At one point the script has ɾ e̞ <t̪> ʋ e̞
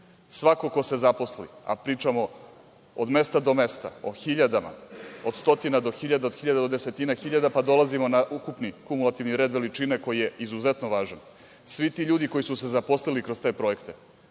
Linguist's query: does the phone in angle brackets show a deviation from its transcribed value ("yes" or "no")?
yes